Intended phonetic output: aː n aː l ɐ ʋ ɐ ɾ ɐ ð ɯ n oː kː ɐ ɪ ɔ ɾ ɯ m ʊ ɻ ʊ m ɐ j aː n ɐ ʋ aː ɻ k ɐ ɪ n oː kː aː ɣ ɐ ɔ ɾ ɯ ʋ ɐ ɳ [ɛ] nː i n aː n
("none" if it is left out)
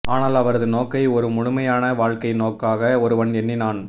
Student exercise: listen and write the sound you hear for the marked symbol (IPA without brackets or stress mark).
ɛ